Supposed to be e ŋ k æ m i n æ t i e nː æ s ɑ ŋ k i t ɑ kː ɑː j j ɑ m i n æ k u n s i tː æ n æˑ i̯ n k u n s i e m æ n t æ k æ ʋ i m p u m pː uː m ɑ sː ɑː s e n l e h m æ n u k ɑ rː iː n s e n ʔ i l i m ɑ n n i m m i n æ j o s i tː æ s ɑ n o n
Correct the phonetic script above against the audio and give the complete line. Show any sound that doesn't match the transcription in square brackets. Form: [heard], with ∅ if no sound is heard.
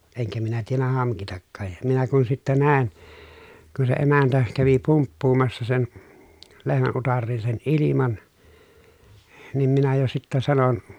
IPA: e ŋ k æ m i n æ t i e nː æ [h] ɑ ŋ k i t ɑ kː ɑː j j ɑ m i n æ k u n s i tː æ n æˑ i̯ n k u n s [e] e m æ n t æ k æ ʋ i [∅] p u m pː uː m ɑ sː [ɑ] s e n l e h m æ n u [t] ɑ rː iː n s e n ʔ i l i m ɑ n n i m m i n æ j o s i tː æ s ɑ n o n

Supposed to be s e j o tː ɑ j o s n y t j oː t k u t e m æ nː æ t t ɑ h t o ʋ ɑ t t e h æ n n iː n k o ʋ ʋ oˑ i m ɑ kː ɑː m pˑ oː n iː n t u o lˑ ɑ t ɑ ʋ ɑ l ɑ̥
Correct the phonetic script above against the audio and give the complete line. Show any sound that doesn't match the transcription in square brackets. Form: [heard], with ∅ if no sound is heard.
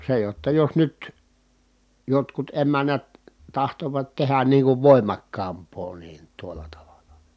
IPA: s e j o tː ɑ j o s n y t j [o] t k u t e m æ nː æ t t ɑ h t o ʋ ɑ t t e h æ n n iː [ŋ] k [u] ʋ ʋ oˑ i m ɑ kː ɑː m pˑ oː n iː n t u o lˑ ɑ t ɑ ʋ ɑ l ɑ̥

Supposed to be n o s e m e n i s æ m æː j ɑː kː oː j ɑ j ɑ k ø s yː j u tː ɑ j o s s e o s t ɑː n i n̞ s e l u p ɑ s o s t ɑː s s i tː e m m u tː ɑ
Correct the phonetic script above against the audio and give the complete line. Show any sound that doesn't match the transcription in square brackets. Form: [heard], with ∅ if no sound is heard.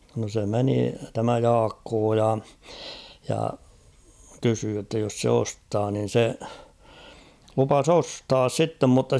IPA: n o s e m e n i [t] æ m [æ] j ɑː kː oː j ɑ j ɑ k [y] s yː j [o] tː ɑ j o s s e o s t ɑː n i n̞ s e l u p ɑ s o s t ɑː s s i tː e m m u tː ɑ

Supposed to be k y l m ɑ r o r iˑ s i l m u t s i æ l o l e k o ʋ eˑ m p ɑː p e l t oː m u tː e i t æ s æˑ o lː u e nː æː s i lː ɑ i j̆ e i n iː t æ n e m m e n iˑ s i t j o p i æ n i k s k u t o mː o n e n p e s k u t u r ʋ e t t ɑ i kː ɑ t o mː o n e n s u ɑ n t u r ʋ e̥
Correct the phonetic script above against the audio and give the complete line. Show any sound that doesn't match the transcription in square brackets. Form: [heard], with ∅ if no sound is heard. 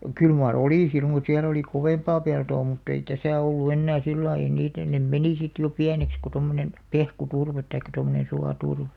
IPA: k y l m ɑ r o [l] iˑ s i l m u t s i æ l o l [i] k o ʋ eˑ m p ɑː p e l t oː m u tː e i t æ s æˑ o lː u e nː æː s i lː ɑ i j̆ e i n iː t æ n e m m e n iˑ s i t j o p i æ n [e] k s k u t o mː o n e n p e [h] k u t u r ʋ e t t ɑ i kː ɑ t o mː o n e n s u ɑ [∅] t u r ʋ e̥

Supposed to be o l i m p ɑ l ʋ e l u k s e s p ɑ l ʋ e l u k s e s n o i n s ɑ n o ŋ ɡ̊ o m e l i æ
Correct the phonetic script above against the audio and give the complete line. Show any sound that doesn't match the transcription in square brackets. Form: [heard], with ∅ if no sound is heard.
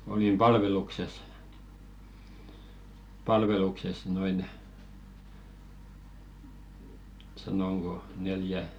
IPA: o l i m p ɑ l ʋ e l u k s e s p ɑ l ʋ e l u k s e s n o i n s ɑ n o ŋ ɡ̊ o [n] e l [j] æ

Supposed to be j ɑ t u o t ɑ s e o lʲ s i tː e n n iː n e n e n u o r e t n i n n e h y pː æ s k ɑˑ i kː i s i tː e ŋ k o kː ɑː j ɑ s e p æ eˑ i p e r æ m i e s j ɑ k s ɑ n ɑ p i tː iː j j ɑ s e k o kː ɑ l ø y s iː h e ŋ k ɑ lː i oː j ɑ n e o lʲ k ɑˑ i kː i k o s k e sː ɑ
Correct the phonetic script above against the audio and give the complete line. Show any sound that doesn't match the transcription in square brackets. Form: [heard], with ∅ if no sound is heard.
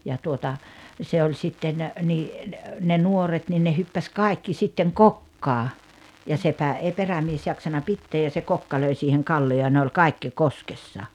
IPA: j ɑ t u o t ɑ s e o lʲ s i tː e n n iː n e n e n u o r e t n i n n e h y pː æ s k ɑˑ i kː i s i tː e ŋ k o kː ɑː j ɑ s e p æ eˑ i p e r æ m i e s j ɑ k s ɑ n ɑ p i tː [eː] j j ɑ s e k o kː ɑ l ø [i] s iː h e ŋ k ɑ lː i oː j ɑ n e o lʲ k ɑˑ i kː i k o s k e sː ɑ

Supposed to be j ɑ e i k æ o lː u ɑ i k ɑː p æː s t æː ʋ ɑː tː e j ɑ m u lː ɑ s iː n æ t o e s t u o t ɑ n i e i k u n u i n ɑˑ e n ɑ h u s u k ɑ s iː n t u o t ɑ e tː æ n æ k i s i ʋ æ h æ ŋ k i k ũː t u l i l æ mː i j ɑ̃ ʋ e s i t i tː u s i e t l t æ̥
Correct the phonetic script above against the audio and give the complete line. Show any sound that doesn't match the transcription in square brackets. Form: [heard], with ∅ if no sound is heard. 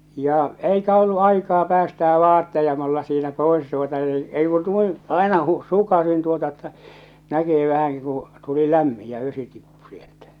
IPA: j ɑ e i k æ o lː u ɑ i k ɑː p æː s t æː ʋ ɑː tː e j ɑ m u lː ɑ s iː n æ [p] o e s t u o t ɑ n i e i k u n u i n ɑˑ e n ɑ h u s u k ɑ s [i] n t u o t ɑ e tː æ n æ k i s i ʋ æ h æ ŋ k i k ũː t u l i l æ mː i j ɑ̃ ʋ e s i t i [pː] u s i e [∅] l t æ̥

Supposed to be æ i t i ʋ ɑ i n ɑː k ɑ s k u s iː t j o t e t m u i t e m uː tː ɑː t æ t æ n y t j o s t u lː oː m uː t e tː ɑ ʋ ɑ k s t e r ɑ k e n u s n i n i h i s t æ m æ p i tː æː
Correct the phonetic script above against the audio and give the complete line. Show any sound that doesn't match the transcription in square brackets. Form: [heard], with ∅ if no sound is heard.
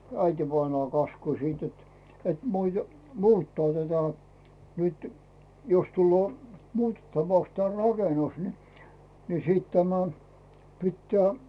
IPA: æ i t i ʋ ɑ i n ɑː k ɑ s k u s iː t j o t e t m u i t e m uː tː ɑː t æ t æ n y t j o s t u lː oː m uː t e tː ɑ ʋ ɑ k s t e r ɑ k e n u s n i n i [s] i [t] t æ m æ p i tː æː

